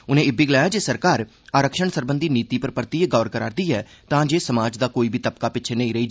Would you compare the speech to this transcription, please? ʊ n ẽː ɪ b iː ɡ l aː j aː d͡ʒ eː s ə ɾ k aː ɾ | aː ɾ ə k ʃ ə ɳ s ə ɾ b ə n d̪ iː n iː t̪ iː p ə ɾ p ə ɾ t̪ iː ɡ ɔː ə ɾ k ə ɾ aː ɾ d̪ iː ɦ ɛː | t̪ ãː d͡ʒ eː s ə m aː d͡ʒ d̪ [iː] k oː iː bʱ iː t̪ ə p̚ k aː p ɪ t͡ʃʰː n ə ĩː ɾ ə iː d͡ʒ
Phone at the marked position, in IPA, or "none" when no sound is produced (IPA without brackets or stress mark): aː